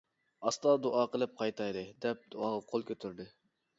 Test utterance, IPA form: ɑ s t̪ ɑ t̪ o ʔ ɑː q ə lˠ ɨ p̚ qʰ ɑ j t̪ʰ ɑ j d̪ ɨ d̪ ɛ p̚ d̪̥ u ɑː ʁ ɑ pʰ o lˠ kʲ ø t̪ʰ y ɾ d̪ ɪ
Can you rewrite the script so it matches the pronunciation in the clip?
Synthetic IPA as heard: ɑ s t̪ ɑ d̪ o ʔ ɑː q ə lˠ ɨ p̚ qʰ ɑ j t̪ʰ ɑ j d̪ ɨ d̪ ɛ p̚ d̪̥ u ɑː ʁ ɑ qʰ o lˠ kʲ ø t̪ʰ y ɾ d̪ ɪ